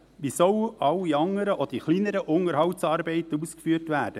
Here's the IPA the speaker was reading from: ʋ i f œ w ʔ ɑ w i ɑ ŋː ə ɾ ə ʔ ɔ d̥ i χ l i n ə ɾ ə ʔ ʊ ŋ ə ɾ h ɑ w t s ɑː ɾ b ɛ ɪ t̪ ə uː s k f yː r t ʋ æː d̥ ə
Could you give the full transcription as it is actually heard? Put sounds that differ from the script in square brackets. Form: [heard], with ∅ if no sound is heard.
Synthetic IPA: ʋ i [s] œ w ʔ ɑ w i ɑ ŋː ə ɾ ə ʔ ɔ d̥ i χ l i n ə ɾ ə ʔ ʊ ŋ ə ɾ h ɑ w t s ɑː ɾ b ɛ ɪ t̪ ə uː s k f yː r t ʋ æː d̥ ə